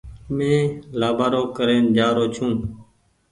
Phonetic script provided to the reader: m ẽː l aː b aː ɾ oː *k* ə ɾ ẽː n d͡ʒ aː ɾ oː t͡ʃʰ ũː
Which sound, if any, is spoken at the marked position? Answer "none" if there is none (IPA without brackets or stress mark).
k